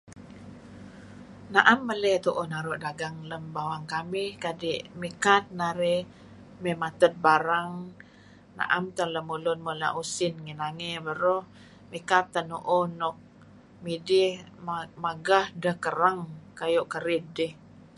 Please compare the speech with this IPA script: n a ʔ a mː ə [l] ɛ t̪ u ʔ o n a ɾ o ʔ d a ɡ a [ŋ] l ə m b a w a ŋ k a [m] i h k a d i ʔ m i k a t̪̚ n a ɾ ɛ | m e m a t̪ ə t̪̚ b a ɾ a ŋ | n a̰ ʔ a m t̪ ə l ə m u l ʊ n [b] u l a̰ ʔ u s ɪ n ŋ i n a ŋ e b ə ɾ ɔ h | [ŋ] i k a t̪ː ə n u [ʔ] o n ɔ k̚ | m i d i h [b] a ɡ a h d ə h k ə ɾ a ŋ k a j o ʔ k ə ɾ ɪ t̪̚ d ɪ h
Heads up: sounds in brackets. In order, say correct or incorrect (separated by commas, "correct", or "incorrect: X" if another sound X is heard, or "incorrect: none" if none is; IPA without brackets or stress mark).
correct, correct, correct, incorrect: m, incorrect: m, correct, incorrect: m